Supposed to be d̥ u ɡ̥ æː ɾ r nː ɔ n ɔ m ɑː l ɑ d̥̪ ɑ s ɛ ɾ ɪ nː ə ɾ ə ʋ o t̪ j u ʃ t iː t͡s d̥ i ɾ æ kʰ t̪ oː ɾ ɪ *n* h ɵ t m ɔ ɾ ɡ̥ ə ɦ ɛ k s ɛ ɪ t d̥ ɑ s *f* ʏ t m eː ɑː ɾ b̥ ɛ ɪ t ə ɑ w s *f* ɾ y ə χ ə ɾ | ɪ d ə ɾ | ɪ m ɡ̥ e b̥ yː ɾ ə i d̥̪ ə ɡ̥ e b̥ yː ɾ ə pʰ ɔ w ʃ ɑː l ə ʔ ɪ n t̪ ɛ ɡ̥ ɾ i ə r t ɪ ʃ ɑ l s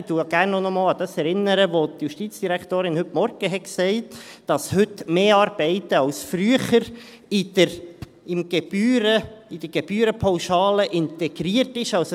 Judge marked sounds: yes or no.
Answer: yes, no, yes

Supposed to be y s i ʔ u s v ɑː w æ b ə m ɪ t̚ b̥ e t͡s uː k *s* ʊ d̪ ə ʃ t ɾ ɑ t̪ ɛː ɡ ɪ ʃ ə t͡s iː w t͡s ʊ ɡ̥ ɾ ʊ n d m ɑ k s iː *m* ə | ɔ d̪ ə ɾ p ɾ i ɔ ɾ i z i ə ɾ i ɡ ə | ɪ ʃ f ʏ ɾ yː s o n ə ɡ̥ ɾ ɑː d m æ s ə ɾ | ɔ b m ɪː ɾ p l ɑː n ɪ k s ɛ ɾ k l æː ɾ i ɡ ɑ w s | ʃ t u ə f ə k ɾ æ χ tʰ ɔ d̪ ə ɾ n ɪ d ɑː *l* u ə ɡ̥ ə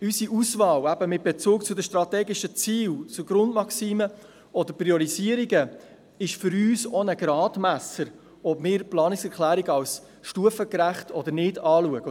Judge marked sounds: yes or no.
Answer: no, yes, yes

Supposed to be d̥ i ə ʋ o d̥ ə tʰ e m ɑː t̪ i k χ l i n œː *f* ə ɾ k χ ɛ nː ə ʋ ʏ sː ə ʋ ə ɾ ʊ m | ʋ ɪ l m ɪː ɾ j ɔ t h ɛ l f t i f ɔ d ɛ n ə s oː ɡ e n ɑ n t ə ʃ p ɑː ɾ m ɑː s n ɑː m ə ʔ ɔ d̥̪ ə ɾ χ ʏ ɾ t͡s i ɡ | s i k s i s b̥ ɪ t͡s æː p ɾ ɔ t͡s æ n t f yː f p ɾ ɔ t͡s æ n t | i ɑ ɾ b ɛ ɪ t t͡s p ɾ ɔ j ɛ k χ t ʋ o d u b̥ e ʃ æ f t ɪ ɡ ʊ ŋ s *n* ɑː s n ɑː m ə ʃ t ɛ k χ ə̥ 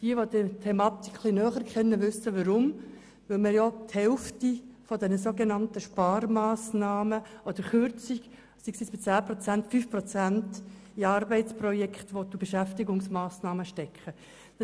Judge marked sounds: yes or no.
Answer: no, no

